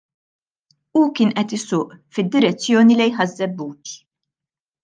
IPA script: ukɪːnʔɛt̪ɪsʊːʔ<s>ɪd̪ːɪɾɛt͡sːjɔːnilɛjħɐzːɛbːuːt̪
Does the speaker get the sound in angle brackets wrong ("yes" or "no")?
yes